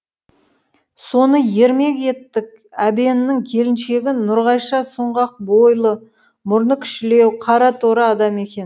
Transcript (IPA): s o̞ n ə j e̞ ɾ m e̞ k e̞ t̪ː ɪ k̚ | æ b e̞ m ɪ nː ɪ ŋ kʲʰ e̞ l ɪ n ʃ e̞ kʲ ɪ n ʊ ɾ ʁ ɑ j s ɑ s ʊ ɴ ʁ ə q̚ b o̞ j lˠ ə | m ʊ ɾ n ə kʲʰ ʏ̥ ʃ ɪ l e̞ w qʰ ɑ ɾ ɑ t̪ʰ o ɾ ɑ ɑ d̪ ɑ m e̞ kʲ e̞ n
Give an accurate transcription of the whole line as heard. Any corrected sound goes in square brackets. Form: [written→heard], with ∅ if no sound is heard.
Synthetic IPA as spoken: s o̞ n ə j e̞ ɾ m e̞ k e̞ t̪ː ɪ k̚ | æ b e̞ [m→n] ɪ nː ɪ ŋ kʲʰ e̞ l ɪ n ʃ e̞ [kʲ→ɡʲ] ɪ n ʊ ɾ ʁ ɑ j [s→ʃ] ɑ s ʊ ɴ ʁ [ə→ɑ] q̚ b o̞ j lˠ ə | m ʊ ɾ n ə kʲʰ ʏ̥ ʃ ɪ l e̞ w qʰ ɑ ɾ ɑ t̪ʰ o ɾ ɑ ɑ d̪ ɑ m e̞ kʲ e̞ n